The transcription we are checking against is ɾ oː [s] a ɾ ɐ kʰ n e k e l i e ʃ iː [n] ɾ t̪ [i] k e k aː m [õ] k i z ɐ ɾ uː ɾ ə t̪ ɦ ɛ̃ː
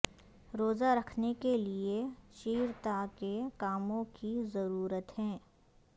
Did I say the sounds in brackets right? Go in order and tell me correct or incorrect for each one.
incorrect, incorrect, incorrect, correct

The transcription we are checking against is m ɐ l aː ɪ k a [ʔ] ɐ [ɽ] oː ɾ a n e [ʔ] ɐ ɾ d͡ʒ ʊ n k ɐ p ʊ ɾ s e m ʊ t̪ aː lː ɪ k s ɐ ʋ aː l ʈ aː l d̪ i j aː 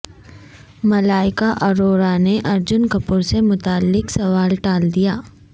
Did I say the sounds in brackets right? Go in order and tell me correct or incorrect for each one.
correct, incorrect, correct

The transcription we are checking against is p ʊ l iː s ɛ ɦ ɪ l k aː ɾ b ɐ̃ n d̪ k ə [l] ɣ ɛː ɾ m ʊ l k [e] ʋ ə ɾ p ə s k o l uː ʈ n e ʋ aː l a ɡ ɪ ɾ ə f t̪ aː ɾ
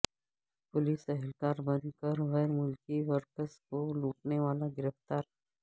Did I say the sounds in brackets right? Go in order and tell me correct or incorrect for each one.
incorrect, incorrect

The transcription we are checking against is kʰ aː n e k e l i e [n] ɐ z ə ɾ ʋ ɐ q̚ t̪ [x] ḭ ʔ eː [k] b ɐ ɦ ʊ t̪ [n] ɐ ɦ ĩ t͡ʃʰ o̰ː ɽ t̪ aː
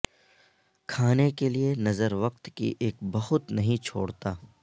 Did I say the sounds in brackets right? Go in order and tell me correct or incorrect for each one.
correct, incorrect, correct, correct

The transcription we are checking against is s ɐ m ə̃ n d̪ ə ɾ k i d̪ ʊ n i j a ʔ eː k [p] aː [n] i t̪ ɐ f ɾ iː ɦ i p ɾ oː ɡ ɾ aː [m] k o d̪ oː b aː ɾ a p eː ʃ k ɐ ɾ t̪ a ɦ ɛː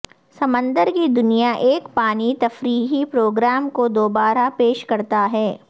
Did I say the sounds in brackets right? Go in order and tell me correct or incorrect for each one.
correct, correct, correct

